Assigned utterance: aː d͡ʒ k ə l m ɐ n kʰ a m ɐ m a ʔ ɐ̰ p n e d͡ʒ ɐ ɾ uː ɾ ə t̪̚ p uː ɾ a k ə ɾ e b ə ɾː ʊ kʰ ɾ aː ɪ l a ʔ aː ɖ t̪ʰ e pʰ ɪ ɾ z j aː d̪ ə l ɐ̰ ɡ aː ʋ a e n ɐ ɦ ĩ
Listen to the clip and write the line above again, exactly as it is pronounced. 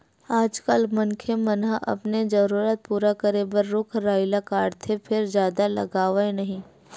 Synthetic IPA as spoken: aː d͡ʒ k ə l m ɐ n kʰ e m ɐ n a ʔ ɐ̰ p n e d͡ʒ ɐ ɾ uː ɾ ə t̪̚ p uː ɾ a k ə ɾ e b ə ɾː ʊ kʰ ɾ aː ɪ l a k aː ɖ t̪ʰ e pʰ ɪ ɾ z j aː d̪ a l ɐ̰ ɡ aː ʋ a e n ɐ ɦ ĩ